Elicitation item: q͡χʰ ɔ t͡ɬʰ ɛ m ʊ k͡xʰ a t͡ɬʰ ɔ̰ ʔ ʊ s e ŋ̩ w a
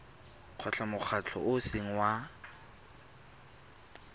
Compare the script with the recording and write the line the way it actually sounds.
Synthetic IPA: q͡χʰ ɔ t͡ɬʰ a m ʊ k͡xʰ a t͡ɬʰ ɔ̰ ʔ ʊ s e ŋ̩ w a